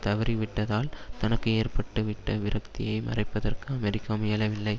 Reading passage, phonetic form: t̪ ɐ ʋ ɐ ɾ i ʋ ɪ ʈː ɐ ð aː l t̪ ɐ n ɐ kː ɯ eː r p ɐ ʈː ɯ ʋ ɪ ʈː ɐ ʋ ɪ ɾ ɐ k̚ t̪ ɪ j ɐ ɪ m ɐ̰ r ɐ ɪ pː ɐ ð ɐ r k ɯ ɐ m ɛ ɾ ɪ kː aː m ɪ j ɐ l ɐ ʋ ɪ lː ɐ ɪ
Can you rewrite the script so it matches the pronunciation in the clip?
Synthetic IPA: t̪ ɐ ʋ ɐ ɾ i ʋ ɪ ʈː ɐ ð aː l t̪ ɐ n ɐ kː ɯ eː r p ɐ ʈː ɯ ʋ ɪ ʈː ɐ ʋ ɪ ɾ ɐ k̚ t̪ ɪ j ɐ ɪ m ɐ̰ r ɐ ɪ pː ɐ ð ɐ r k ɯ ɐ m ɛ ɾ ɪ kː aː m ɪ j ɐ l ɐ ʋ ɪ lː ɐ ɪ